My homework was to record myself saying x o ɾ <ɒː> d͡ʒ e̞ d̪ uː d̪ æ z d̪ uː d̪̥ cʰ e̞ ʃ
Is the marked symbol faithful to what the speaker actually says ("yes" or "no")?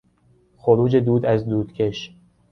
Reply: no